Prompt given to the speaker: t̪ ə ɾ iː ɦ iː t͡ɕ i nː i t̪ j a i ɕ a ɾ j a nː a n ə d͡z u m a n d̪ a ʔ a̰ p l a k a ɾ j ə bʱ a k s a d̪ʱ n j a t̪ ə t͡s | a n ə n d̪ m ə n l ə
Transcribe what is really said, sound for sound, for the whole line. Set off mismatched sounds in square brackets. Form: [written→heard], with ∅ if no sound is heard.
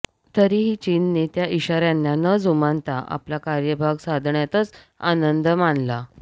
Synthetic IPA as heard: t̪ ə ɾ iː ɦ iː t͡ɕ i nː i t̪ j a i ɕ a ɾ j a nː a n ə d͡z u m a n [d̪→t̪] a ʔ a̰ p l a k a ɾ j ə bʱ a [k→ɡ] s a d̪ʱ [n→ɳ] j a t̪ ə t͡s | a n ə n d̪ m [ə→a] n l [ə→a]